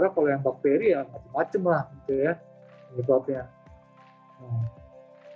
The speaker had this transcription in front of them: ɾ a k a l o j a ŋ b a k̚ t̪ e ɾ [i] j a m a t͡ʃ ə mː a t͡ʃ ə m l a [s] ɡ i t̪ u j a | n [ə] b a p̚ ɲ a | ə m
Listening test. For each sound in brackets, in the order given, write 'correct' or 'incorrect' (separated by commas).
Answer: correct, incorrect, correct